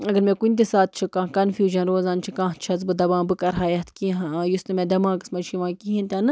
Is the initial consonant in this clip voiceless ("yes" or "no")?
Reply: no